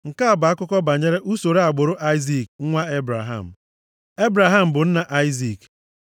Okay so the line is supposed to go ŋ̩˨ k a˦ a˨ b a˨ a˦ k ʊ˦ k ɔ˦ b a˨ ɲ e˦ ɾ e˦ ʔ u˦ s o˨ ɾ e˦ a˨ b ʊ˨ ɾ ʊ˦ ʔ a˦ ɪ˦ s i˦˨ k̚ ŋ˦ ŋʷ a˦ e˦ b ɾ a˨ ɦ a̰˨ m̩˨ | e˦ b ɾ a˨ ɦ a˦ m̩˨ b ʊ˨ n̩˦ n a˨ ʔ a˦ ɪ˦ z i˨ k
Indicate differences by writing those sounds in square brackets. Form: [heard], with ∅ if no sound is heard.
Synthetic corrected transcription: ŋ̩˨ k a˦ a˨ b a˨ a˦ k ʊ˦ k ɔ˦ b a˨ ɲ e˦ ɾ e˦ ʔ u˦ s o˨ ɾ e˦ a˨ [ɡ͡b] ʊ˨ ɾ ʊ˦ ʔ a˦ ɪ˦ [z] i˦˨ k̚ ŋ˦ ŋʷ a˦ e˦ b ɾ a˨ ɦ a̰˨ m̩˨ | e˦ b ɾ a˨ ɦ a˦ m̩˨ b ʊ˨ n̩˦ n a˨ ʔ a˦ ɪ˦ z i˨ k